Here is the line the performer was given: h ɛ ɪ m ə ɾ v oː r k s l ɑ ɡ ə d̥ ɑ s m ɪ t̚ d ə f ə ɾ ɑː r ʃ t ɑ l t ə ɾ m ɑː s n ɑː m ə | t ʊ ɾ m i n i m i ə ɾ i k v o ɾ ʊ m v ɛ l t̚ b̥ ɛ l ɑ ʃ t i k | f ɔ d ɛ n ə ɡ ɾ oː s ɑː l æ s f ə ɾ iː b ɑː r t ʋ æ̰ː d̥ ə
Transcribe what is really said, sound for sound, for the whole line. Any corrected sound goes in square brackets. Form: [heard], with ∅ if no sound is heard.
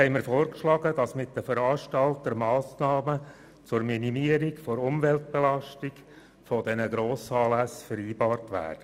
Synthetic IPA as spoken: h ɛ ɪ m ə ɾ [f] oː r k [ʃ] l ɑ ɡ ə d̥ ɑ s m ɪ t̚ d ə f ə ɾ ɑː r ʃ t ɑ l t ə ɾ m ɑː s n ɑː m ə | [t͡s] ʊ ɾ m i n i m i ə ɾ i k [f] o ɾ ʊ m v ɛ l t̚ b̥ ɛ l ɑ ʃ t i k | f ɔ d ɛ n ə ɡ ɾ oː s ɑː l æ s f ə ɾ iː b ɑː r t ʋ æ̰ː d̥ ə